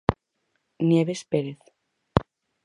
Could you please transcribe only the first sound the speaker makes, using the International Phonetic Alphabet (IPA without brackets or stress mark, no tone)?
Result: n